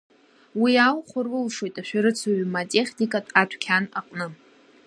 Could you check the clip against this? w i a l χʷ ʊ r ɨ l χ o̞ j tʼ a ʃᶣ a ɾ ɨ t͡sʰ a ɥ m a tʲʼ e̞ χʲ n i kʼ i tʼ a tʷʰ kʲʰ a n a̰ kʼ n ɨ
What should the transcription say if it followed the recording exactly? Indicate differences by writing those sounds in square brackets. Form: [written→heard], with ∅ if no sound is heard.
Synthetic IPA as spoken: w i a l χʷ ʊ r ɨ l [χ→ʂ] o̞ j tʼ a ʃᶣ a ɾ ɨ t͡sʰ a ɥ m a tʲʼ e̞ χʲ n i kʼ [i→a] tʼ a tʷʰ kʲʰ a n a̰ [kʼ→qʼ] n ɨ